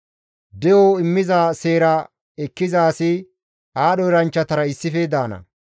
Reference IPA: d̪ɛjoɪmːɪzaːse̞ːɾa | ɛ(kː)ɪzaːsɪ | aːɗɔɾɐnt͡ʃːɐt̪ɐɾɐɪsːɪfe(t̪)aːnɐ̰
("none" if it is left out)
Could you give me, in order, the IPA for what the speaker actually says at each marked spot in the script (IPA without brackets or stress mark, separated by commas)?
kː, d̪